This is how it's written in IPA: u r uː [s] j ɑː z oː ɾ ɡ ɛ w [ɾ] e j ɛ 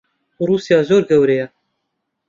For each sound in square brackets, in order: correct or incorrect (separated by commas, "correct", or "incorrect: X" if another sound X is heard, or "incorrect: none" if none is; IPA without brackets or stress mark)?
correct, correct